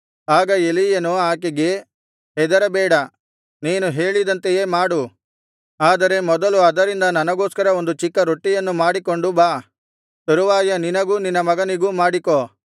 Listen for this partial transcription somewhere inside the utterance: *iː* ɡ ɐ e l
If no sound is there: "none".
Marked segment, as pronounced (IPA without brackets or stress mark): aː